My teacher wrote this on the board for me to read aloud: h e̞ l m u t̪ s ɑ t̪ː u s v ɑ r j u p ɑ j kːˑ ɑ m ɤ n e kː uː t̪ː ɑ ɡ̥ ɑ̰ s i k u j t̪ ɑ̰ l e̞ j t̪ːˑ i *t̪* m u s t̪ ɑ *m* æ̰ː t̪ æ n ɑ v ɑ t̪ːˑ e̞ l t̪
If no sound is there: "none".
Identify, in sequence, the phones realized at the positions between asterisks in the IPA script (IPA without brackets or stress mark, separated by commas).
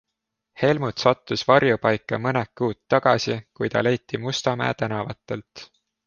none, m